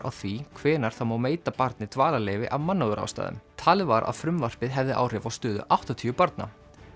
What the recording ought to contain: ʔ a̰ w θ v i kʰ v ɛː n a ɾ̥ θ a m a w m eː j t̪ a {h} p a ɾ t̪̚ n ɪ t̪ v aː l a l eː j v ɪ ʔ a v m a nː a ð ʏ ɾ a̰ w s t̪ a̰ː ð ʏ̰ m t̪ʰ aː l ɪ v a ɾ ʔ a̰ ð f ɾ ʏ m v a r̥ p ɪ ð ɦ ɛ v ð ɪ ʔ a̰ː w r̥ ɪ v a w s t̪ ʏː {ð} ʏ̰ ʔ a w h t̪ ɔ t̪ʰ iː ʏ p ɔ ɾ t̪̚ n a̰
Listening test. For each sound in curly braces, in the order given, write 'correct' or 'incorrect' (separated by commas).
incorrect, correct